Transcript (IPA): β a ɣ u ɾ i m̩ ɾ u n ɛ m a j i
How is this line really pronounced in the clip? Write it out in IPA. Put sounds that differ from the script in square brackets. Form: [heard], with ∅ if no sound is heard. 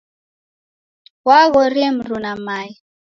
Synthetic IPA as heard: [w] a ɣ [ɔ] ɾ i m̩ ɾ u n [a] m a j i